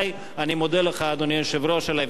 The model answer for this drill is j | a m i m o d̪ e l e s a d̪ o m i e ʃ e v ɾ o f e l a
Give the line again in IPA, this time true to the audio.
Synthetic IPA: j | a n i m o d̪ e l e χ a d̪ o n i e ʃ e v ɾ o ʃ e l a

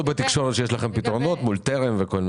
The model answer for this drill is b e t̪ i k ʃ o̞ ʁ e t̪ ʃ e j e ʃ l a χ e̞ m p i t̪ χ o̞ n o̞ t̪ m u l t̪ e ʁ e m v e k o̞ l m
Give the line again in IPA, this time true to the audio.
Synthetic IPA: b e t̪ i k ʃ o̞ ʁ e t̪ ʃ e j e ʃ l a χ e̞ m p i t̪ ʁ o̞ n o̞ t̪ m u l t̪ e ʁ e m v e k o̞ l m

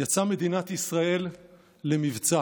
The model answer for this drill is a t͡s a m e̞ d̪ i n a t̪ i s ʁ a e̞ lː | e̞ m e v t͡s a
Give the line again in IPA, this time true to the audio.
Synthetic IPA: a t͡s a m e̞ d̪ i n a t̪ i s ʁ a e̞ lː | e̞ m i v t͡s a

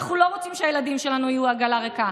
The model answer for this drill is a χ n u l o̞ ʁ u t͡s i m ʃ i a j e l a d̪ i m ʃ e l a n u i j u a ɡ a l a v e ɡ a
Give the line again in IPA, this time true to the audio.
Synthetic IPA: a χ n u l o̞ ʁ o t͡s i m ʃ e a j e l a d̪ i m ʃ e l a n u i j u a ɡ a l a ʁ e k a

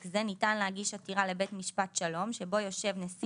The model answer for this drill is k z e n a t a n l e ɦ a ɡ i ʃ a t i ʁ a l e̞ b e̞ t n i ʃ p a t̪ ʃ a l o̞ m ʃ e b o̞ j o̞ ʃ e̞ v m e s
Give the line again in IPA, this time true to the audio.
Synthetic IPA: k z e n i t a n l e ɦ a ɡ i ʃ a t i ʁ a l e̞ b e̞ t m i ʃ p a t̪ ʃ a l o̞ m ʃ e b o̞ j o̞ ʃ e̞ v n e s

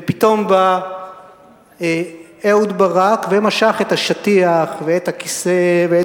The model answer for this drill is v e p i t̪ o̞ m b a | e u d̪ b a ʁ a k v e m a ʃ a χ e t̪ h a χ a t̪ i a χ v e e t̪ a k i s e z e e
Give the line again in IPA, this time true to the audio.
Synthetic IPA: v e p i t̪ o̞ m b a | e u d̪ b a ʁ a k v e m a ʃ a χ e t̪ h a ʃ a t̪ i a χ v e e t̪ a k i s e v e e

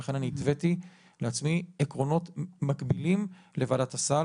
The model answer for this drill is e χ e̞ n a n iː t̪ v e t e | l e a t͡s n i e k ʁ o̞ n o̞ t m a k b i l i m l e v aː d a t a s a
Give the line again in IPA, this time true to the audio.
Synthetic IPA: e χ e̞ n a n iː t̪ v e t i | l e a t͡s m i e k ʁ o̞ n o̞ t m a k b i l i m l e v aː d a t a s a

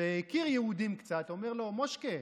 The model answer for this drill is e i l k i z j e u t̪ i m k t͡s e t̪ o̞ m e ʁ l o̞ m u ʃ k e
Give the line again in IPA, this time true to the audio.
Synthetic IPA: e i k i ʁ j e u d̪ i m k t͡s a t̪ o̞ m e ʁ l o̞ m o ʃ k e

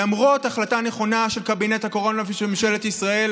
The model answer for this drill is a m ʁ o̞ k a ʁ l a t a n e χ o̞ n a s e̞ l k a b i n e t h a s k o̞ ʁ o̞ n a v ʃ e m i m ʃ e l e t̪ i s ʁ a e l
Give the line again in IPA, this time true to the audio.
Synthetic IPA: a m ʁ o̞ t a χ l a t a n e χ o̞ n a ʃ e̞ l k a b i n e t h a k o̞ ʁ o̞ n a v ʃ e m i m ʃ e l e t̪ i s ʁ a e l

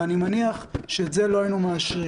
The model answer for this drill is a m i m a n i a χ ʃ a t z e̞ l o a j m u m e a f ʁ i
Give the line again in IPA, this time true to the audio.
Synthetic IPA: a n i m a n i a χ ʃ e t z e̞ l o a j n u m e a ʃ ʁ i

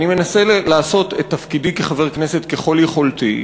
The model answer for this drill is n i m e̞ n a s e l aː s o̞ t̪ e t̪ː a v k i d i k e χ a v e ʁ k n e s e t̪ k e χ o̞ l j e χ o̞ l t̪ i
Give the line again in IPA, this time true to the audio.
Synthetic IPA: n i m e̞ n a s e l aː s o̞ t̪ e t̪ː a f k i d i k e χ a v e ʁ k n e s e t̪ k e χ o̞ l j e χ o̞ l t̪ i

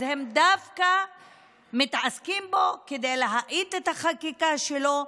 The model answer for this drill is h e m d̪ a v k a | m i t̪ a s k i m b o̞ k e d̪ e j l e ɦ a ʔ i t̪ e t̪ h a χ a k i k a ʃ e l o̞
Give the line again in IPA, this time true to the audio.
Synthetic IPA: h e m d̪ a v k a | m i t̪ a s k i m b o̞ k e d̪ e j l e ɦ a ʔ i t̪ e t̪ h a χ a k i k a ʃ e l o̞

